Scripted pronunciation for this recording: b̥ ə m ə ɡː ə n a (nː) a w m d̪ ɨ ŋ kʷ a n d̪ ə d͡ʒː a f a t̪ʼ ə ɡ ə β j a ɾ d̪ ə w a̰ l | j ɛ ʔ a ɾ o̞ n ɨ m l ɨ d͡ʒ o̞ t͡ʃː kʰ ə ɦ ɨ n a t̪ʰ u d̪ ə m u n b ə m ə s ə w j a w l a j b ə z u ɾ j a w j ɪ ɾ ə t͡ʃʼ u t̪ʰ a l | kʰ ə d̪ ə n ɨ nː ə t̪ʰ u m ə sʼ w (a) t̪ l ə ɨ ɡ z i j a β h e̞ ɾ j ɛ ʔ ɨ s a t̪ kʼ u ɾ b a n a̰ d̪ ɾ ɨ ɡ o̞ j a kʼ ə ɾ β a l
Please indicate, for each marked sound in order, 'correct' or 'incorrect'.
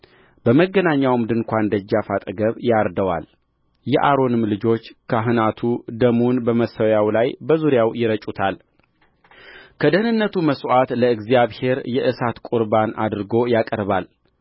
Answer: incorrect, correct

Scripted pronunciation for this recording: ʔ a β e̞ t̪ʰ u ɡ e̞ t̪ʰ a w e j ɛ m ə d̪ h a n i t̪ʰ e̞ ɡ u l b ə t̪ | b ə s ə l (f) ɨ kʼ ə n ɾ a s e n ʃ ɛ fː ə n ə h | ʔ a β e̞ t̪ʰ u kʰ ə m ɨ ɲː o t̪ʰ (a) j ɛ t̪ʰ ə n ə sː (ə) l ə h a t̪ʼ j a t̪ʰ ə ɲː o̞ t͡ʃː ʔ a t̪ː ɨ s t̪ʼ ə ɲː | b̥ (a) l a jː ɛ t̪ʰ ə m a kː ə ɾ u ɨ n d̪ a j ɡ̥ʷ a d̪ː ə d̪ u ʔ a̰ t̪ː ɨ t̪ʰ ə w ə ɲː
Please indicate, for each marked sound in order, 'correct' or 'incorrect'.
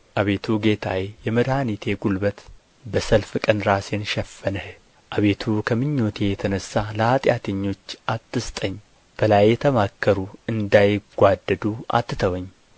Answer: correct, incorrect, incorrect, incorrect

